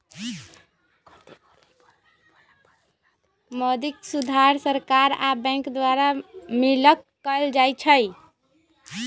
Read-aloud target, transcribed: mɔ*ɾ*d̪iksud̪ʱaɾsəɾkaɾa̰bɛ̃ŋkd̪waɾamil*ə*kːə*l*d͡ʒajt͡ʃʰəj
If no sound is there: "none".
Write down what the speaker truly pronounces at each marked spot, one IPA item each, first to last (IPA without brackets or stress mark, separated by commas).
none, ə, l